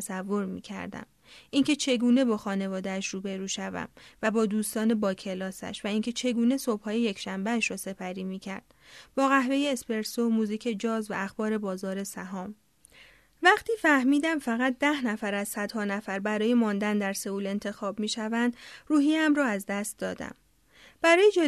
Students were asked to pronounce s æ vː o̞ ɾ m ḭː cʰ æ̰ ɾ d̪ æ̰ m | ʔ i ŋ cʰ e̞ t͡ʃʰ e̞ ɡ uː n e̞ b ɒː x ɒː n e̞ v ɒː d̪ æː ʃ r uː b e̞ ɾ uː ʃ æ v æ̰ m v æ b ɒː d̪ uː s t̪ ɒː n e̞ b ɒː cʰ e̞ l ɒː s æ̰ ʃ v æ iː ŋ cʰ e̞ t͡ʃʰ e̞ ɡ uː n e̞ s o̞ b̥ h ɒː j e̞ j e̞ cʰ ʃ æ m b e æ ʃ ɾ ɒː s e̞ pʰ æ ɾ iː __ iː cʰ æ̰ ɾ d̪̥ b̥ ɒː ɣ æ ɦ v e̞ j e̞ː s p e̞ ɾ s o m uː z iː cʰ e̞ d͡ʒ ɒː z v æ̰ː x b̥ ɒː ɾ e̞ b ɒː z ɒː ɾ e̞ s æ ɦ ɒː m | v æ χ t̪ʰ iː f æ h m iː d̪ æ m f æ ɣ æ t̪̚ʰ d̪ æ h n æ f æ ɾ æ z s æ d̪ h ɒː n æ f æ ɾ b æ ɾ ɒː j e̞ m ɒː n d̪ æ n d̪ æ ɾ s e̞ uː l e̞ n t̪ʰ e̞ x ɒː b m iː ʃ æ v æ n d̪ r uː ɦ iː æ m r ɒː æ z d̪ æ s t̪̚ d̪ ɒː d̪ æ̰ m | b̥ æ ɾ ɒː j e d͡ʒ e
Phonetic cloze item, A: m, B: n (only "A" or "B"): A